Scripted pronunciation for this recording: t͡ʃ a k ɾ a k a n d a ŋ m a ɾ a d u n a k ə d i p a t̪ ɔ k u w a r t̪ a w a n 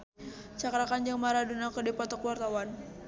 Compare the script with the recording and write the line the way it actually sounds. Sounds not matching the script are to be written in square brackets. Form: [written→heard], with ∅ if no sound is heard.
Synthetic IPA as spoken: t͡ʃ a k ɾ a k a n [d→d͡ʒ] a ŋ m a ɾ a d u n a k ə d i p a t̪ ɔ k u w a r t̪ a w a n

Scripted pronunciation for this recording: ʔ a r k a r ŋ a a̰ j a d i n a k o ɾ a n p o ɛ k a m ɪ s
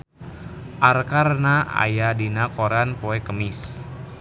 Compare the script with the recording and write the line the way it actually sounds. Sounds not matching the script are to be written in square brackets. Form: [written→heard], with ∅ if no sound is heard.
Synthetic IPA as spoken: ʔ a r k a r [ŋ→n] a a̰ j a d i n a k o ɾ a n p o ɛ k [a→ə] m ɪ s

